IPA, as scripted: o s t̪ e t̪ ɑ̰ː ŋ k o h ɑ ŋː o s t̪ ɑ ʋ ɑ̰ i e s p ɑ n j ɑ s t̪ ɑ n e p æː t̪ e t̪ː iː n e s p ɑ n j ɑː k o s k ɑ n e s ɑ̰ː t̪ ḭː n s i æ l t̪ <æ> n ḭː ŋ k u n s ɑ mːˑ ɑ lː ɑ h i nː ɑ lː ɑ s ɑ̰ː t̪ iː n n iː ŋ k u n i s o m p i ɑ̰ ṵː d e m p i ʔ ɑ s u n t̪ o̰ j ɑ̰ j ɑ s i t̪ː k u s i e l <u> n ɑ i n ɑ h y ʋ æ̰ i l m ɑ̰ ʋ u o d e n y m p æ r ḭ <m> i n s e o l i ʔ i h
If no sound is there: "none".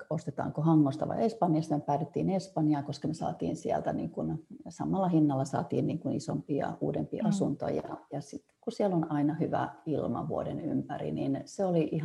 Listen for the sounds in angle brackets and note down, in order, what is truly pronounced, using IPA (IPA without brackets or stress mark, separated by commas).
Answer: æ, o, n